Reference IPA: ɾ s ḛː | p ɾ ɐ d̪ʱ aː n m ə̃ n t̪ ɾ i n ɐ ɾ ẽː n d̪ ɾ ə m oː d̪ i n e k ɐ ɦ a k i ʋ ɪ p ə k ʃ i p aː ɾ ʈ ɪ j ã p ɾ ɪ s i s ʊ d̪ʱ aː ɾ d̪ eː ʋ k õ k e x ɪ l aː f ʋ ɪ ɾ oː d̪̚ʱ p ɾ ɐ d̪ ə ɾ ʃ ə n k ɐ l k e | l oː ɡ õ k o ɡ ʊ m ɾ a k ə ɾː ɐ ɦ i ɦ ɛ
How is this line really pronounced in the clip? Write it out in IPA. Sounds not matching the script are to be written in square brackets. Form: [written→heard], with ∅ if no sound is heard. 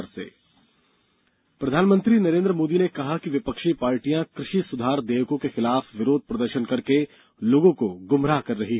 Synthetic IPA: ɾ s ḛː | p ɾ ɐ d̪ʱ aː n m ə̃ n t̪ ɾ i n ɐ ɾ ẽː n d̪ ɾ ə m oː d̪ i n e k ɐ ɦ a k i ʋ ɪ p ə k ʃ i p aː ɾ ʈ [ɪ→i] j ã [p→k] ɾ ɪ [s→ʃ] i s ʊ d̪ʱ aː ɾ d̪ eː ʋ k õ k e x ɪ l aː f ʋ ɪ ɾ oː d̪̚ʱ p ɾ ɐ d̪ ə ɾ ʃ ə n k ɐ [l→ɾ] k e | l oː ɡ õ k o ɡ ʊ m ɾ a k [ə→ɐ] ɾː ɐ ɦ i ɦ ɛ